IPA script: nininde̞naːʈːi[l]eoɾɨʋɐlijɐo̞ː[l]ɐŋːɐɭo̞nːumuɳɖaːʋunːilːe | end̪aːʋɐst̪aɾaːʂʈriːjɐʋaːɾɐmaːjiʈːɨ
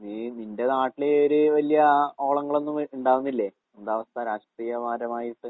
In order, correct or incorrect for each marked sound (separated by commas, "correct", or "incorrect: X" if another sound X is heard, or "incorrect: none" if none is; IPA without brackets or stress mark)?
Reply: correct, incorrect: ɭ